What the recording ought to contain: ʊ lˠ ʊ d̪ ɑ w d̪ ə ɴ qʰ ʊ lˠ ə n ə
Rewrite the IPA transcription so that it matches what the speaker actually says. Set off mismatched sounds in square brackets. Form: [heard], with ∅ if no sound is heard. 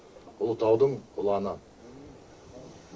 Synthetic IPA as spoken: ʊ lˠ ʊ [t̪] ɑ w d̪ ə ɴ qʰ ʊ lˠ [ɑ] n ə

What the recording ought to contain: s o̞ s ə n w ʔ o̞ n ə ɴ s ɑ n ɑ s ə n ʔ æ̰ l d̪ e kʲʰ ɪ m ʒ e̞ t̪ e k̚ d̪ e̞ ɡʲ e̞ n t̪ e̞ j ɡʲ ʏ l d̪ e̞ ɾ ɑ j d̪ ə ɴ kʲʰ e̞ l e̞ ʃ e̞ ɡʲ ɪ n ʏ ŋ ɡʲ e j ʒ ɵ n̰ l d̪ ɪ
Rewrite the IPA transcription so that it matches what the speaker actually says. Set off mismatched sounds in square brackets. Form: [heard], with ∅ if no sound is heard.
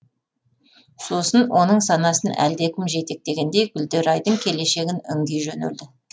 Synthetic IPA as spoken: s o̞ s ə n w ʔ o̞ n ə ɴ s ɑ n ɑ s ə n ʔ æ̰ l d̪ e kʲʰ ɪ m ʒ e̞ t̪ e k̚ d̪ e̞ ɡʲ e̞ n [d̪] e̞ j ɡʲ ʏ l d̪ e̞ ɾ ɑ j d̪ ə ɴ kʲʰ e̞ l e̞ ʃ e̞ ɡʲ ɪ n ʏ ŋ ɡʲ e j ʒ ɵ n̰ l d̪ ɪ

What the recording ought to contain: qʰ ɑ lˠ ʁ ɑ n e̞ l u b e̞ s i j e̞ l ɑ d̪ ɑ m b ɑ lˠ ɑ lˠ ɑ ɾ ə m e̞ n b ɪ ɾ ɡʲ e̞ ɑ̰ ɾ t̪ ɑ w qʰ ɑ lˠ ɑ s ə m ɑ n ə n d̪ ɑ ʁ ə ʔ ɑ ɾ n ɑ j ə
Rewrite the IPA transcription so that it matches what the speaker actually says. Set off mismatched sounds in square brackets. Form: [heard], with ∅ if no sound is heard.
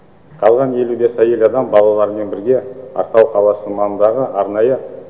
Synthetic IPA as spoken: qʰ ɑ lˠ ʁ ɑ n e̞ l u b e̞ s [æ] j e̞ l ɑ d̪ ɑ m b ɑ lˠ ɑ lˠ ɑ ɾ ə m e̞ n b ɪ ɾ ɡʲ e̞ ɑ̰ ɾ t̪ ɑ w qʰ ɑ lˠ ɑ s ə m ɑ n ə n d̪ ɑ ʁ ə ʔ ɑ ɾ n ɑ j ə

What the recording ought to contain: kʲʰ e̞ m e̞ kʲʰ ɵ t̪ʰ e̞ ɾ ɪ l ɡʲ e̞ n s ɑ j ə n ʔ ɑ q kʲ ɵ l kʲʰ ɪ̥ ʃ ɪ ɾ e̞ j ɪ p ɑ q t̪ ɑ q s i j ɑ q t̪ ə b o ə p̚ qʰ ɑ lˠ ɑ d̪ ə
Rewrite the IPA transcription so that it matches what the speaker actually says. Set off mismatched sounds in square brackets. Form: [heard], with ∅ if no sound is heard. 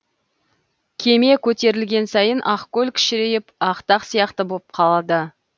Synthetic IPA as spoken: kʲʰ e̞ m e̞ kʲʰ ɵ [t̪] e̞ ɾ ɪ l ɡʲ e̞ n s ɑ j ə n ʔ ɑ q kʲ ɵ l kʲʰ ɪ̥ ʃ ɪ ɾ e̞ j ɪ p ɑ q t̪ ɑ q s i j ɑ q t̪ ə b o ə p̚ qʰ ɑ lˠ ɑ d̪ ə

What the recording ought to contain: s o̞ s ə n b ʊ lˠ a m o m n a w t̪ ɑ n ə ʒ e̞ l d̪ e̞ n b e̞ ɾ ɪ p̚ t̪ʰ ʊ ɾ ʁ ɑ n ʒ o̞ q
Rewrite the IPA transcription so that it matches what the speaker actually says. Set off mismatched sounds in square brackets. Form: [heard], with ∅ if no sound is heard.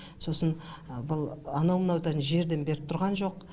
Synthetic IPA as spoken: s o̞ s ə n b ʊ lˠ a [n] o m n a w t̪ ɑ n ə ʒ e̞ [ɾ] d̪ e̞ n b e̞ ɾ ɪ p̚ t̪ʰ ʊ ɾ ʁ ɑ n ʒ o̞ q

